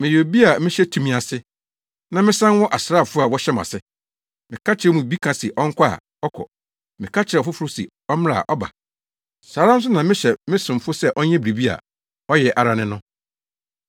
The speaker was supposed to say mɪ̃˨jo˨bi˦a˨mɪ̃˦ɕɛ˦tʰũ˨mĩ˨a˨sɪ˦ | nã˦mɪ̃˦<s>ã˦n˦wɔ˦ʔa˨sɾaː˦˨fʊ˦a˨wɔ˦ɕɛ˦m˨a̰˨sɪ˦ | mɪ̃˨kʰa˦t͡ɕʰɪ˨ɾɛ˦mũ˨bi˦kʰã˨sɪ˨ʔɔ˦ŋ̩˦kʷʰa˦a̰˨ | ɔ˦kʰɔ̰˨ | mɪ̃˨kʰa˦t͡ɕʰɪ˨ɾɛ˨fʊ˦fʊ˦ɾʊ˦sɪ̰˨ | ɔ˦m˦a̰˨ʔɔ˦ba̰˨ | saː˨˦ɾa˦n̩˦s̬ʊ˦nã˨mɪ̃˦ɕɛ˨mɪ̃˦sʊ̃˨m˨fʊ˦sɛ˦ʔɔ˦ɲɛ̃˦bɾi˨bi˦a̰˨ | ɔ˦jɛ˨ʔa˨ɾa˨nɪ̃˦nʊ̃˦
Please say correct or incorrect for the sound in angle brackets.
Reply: correct